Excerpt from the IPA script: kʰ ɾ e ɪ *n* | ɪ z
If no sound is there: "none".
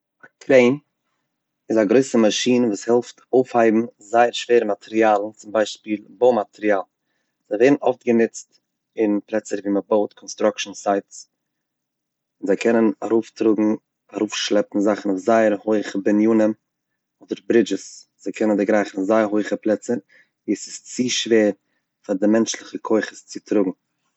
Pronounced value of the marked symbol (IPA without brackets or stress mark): n